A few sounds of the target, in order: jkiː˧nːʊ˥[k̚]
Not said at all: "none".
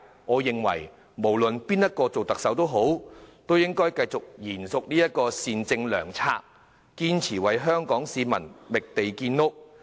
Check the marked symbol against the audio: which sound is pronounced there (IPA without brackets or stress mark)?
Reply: k̚